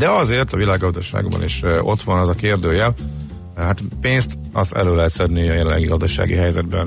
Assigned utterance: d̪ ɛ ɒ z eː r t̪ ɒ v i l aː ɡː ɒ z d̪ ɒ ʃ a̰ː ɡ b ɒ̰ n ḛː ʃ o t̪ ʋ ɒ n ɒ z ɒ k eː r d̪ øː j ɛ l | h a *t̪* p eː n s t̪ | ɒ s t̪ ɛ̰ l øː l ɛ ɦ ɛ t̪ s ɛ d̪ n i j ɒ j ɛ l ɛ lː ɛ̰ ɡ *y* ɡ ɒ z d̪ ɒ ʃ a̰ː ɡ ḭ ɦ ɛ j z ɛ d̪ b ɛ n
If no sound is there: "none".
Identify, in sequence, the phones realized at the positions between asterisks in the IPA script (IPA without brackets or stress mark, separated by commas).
t̪, i